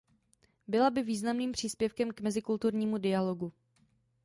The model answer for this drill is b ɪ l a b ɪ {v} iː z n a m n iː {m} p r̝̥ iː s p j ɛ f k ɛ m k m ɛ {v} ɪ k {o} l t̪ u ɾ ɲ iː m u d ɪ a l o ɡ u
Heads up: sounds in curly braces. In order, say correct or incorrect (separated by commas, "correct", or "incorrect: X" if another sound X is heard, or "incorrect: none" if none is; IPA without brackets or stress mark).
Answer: correct, correct, incorrect: z, incorrect: u